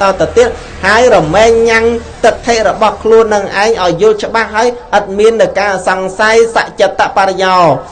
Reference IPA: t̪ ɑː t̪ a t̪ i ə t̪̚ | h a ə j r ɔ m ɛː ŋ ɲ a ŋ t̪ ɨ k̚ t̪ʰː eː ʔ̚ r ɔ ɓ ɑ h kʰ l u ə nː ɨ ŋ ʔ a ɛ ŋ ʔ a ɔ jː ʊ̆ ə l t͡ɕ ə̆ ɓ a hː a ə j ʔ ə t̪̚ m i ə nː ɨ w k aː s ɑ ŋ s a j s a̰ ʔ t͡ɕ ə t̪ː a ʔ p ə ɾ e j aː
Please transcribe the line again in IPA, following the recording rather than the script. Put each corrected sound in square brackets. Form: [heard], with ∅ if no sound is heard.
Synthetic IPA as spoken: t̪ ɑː t̪ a t̪ i ə t̪̚ | h a ə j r ɔ m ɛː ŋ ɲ a ŋ t̪ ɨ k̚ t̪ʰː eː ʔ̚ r ɔ ɓ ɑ h kʰ l u ə nː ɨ ŋ ʔ a ɛ ŋ ʔ a ɔ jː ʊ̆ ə l t͡ɕ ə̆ ɓ a hː a ə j ʔ ə t̪̚ m i ə nː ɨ w k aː s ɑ ŋ s a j s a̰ ʔ t͡ɕ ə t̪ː a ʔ p [a] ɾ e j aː